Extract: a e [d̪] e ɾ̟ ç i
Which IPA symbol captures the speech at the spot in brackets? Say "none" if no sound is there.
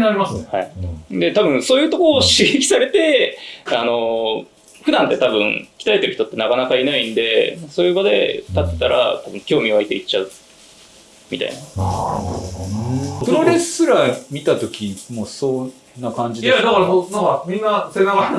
t̪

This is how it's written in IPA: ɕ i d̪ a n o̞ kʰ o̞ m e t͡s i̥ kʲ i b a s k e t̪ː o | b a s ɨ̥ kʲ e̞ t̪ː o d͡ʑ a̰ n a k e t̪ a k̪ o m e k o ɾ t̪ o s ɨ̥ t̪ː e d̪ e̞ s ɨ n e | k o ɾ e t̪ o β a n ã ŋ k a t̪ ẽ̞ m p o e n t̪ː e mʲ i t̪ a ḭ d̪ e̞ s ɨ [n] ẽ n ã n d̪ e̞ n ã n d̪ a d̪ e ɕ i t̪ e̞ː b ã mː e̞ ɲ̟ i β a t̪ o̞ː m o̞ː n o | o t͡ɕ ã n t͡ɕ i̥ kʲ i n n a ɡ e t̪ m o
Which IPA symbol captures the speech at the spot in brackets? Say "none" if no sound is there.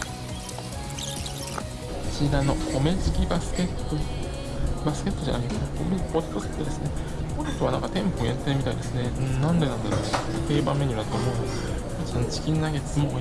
n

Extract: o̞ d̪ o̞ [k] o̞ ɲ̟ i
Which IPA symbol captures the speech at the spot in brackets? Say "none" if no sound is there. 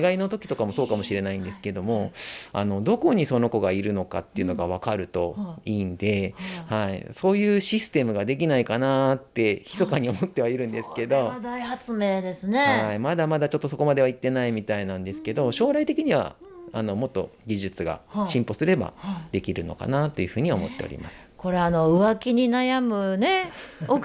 k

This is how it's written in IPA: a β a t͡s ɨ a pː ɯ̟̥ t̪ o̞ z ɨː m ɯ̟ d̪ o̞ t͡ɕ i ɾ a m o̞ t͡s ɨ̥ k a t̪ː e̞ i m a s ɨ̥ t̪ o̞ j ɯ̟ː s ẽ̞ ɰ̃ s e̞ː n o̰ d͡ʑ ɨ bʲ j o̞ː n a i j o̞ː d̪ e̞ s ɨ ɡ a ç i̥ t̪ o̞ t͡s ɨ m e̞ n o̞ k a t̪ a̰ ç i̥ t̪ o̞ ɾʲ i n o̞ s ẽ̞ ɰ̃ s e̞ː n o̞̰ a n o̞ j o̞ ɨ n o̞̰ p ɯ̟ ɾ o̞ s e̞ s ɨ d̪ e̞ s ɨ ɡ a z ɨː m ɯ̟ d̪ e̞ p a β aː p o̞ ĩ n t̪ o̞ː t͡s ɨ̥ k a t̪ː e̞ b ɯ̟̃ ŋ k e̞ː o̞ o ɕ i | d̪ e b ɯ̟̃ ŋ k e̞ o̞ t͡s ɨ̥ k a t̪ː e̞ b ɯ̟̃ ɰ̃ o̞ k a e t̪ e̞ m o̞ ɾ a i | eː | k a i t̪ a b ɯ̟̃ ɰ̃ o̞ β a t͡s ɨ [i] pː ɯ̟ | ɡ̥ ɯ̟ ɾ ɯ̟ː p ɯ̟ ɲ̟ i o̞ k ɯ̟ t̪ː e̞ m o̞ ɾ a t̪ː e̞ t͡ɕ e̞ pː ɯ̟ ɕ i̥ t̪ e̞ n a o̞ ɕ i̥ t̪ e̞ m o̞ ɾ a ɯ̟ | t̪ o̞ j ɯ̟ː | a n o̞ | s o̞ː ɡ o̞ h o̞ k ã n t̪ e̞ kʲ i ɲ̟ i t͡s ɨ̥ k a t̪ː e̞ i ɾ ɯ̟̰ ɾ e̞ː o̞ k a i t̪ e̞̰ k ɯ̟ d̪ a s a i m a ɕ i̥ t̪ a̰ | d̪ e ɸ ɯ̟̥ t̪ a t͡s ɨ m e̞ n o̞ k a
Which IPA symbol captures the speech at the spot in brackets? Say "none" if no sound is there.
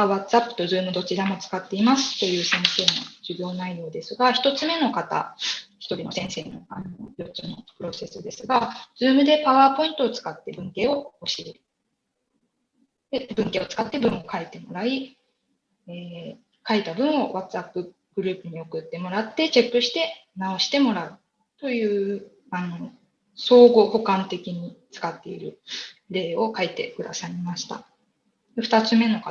a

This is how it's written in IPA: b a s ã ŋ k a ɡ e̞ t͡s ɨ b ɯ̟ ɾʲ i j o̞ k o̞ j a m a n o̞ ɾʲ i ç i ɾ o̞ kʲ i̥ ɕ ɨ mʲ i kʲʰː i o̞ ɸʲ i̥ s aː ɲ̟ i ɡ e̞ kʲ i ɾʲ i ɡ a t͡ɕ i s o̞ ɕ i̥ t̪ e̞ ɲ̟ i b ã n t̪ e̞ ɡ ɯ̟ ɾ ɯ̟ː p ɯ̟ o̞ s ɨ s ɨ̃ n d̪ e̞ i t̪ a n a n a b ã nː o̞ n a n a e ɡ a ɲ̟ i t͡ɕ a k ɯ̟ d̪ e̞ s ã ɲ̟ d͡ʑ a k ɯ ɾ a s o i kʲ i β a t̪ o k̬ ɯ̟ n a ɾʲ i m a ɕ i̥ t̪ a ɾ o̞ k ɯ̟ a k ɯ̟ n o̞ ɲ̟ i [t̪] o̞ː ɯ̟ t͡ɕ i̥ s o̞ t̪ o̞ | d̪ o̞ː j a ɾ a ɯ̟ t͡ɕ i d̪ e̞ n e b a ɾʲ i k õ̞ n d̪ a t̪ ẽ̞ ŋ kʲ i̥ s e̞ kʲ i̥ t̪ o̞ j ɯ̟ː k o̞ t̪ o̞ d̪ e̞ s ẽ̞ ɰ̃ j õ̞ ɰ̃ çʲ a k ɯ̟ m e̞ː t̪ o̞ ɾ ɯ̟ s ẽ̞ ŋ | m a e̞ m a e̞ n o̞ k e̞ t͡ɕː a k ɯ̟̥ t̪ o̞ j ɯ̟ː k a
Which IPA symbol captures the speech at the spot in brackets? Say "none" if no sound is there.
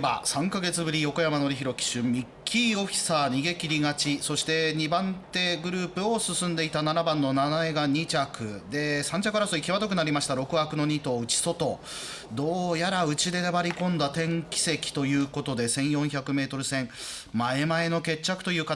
t̪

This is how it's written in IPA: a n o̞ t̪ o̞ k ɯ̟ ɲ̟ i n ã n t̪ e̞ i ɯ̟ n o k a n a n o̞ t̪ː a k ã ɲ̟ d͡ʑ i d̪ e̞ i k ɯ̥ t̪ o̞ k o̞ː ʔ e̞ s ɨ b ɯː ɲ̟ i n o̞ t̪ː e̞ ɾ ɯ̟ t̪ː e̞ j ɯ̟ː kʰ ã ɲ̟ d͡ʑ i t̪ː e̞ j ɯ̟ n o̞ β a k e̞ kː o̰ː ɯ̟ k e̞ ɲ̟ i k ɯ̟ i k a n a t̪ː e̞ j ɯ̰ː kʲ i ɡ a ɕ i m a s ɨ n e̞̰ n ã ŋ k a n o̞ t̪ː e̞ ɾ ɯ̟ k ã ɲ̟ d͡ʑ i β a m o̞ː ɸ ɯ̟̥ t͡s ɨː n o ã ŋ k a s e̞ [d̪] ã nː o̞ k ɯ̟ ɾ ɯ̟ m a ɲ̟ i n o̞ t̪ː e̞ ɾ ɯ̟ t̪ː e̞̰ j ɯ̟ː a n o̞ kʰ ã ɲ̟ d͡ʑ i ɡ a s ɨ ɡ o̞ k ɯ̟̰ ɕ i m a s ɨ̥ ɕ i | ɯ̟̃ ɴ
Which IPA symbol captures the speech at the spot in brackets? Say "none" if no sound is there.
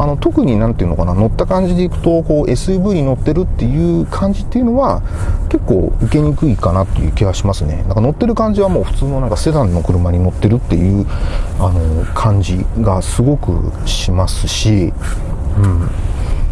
d̪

